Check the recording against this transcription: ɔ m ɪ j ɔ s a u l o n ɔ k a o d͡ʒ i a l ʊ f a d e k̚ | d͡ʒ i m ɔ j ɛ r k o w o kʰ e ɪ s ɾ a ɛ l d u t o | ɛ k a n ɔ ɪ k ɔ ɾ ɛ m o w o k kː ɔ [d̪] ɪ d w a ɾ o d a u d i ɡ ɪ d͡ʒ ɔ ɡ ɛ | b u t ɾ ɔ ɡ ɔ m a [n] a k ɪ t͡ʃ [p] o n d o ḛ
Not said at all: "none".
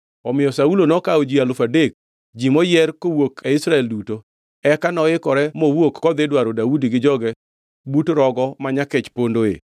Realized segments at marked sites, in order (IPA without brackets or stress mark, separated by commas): d̪, ɲ, p